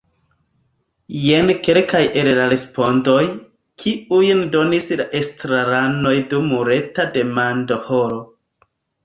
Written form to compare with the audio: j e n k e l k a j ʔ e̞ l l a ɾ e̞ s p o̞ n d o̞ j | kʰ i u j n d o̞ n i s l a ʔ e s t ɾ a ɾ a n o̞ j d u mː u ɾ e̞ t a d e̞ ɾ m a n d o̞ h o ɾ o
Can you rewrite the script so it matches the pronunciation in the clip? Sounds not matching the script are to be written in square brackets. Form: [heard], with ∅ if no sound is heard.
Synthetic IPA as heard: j e n k e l k a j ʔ e̞ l l a ɾ e̞ s p o̞ n d o̞ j | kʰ i u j n d o̞ n i s l a ʔ e s t ɾ a ɾ a n o̞ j d u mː u ɾ e̞ t a d e̞ [∅] m a n d o̞ h o ɾ o